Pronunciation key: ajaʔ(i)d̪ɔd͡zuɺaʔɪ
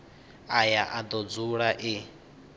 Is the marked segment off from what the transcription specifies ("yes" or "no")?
yes